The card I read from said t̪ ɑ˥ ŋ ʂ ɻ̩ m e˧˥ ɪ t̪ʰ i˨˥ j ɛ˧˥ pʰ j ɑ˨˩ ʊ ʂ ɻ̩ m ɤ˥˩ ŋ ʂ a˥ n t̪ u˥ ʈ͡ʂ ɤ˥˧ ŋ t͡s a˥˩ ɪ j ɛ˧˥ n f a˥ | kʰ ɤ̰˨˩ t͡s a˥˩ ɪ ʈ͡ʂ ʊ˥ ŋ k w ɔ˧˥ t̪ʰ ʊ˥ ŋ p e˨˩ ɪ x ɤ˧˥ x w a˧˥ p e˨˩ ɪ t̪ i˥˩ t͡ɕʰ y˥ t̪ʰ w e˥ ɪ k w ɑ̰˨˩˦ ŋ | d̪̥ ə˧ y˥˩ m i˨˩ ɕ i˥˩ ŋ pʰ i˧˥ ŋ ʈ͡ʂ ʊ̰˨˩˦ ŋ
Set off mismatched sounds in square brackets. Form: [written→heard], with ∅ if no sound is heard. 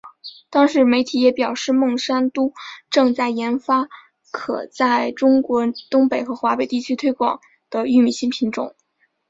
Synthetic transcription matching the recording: t̪ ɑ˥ ŋ ʂ ɻ̩ m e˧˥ ɪ t̪ʰ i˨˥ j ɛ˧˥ [pʰ→p] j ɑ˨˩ ʊ ʂ ɻ̩ m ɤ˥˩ ŋ ʂ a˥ n t̪ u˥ ʈ͡ʂ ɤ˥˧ ŋ t͡s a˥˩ ɪ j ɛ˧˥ n f a˥ | kʰ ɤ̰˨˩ t͡s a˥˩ ɪ ʈ͡ʂ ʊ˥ ŋ k w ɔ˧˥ [t̪ʰ→t̪] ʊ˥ ŋ p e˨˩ ɪ x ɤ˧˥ x w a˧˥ p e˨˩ ɪ t̪ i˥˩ t͡ɕʰ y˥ t̪ʰ w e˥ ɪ k w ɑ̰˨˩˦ ŋ | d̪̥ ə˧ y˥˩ m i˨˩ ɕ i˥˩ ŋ pʰ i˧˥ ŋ ʈ͡ʂ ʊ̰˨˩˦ ŋ